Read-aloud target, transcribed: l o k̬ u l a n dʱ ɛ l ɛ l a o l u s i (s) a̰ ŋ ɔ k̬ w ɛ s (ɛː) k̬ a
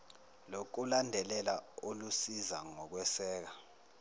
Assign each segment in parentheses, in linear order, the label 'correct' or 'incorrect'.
incorrect: z, correct

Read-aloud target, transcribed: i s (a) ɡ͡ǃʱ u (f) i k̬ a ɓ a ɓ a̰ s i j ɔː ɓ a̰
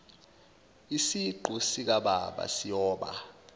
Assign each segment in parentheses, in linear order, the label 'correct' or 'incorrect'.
incorrect: i, incorrect: s

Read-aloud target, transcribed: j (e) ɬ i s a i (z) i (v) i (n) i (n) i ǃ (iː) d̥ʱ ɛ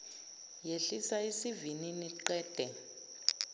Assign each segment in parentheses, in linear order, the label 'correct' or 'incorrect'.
correct, incorrect: s, correct, correct, correct, incorrect: ɛː

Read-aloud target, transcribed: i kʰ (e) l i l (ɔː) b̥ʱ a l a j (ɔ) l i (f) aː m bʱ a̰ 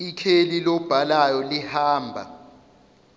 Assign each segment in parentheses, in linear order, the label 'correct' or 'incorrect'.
correct, incorrect: ɔ, correct, incorrect: h

